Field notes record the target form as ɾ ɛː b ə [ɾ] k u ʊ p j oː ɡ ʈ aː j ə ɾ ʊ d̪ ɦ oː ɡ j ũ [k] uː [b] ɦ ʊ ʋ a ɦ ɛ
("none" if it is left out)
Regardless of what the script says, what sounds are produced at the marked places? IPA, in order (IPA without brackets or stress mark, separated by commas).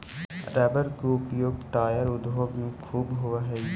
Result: ɾ, kʰ, b